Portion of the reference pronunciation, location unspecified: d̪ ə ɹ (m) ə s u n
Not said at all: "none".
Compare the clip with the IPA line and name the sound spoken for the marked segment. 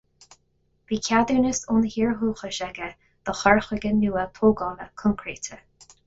n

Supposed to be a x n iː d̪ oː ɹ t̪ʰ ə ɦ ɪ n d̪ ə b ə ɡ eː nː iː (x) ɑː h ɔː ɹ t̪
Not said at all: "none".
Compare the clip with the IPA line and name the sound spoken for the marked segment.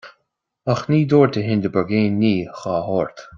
x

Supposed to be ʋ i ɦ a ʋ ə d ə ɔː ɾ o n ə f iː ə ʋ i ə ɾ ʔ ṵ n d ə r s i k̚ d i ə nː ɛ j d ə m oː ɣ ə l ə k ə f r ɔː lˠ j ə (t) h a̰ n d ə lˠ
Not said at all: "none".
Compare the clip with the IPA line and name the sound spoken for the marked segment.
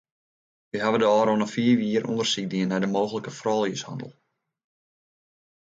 s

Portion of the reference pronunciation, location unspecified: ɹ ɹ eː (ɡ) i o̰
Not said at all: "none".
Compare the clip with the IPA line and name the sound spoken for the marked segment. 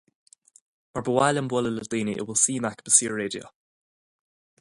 d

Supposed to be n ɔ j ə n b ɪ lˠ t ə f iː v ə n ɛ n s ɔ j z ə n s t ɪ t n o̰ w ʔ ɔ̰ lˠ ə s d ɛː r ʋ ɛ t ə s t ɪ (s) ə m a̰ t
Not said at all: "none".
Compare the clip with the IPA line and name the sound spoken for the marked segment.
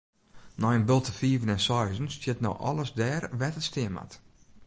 none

